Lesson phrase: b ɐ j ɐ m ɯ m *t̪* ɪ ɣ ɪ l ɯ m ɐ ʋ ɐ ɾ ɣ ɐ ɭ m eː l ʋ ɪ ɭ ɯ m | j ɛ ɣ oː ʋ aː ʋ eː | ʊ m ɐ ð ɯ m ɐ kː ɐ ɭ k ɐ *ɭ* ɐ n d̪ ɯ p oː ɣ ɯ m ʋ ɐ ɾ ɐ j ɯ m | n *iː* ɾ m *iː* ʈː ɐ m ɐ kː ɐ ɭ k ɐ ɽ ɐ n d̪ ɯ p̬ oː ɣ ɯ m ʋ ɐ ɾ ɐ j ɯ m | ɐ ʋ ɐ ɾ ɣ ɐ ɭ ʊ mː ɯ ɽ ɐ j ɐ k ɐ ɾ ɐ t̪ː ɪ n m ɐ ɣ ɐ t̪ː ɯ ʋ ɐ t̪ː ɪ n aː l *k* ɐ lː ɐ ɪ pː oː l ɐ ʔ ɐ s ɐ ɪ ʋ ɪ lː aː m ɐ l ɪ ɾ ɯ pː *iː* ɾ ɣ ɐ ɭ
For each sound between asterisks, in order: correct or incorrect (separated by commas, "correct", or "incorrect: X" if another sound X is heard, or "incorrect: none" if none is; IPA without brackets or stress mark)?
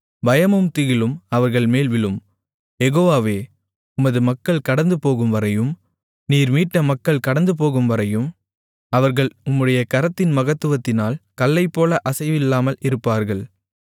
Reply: correct, incorrect: ɽ, correct, correct, correct, incorrect: aː